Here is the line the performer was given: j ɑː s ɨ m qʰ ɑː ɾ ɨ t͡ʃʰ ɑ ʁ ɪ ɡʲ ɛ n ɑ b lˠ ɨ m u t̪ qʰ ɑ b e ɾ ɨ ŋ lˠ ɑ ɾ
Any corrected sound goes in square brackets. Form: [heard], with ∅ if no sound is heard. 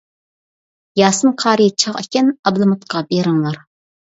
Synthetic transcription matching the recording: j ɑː s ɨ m qʰ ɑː ɾ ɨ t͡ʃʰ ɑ ʁ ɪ [kʲ] ɛ n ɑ b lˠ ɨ m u t̪ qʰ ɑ b e ɾ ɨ ŋ lˠ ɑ ɾ